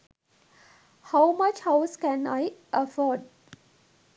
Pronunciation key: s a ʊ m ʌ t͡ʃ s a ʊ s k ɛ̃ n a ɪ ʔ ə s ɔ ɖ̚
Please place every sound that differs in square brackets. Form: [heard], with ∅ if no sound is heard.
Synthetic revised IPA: [h] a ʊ m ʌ t͡ʃ [h] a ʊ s k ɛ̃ n a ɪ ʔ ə [f] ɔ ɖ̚